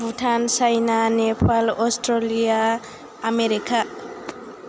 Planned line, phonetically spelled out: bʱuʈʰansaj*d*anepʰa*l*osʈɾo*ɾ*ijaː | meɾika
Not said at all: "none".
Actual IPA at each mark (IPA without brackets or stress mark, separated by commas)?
n, l, l